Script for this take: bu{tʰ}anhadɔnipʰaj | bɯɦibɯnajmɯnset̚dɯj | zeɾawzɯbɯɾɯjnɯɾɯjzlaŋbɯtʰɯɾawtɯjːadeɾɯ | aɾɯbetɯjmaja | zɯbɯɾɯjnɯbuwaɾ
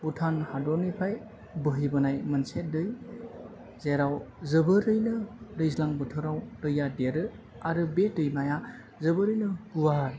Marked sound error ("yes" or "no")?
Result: no